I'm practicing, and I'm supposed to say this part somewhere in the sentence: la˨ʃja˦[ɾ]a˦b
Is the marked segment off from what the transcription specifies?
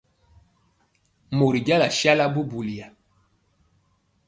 yes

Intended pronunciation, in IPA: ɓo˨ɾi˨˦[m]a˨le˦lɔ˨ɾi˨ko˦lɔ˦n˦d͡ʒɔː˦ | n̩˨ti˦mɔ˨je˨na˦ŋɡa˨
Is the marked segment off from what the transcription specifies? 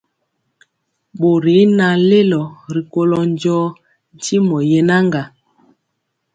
yes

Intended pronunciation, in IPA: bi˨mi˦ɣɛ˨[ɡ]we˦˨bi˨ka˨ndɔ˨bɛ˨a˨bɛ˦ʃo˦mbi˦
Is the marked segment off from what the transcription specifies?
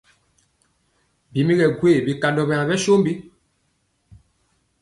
no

